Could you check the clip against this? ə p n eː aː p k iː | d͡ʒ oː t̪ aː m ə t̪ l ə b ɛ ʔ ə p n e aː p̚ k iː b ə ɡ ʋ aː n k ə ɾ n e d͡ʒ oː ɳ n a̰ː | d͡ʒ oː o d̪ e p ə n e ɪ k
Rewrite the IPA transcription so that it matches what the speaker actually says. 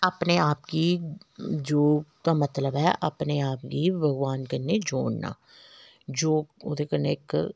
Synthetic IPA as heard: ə p n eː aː p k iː | d͡ʒ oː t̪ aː m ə t̪ l ə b ɛ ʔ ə p n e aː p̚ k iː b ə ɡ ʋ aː n k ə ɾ n e d͡ʒ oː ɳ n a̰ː | d͡ʒ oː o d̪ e k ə n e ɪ k